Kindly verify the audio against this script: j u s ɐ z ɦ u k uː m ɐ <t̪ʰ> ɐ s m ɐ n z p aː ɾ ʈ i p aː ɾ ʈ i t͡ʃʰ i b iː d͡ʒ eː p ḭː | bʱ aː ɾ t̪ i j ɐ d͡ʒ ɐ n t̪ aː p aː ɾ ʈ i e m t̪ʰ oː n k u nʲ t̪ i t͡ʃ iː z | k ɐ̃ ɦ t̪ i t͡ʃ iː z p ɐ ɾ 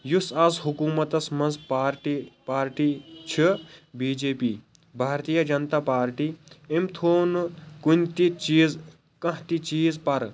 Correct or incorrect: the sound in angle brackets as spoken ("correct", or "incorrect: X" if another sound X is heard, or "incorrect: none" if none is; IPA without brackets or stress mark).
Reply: incorrect: t̪